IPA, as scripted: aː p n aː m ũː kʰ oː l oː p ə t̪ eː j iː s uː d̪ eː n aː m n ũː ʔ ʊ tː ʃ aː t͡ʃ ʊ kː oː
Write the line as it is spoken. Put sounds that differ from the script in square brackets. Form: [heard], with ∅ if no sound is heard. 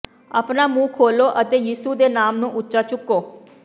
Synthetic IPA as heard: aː p n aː m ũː kʰ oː l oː [ʔ] ə t̪ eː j iː s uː d̪ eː n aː m n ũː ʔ ʊ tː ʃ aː t͡ʃ ʊ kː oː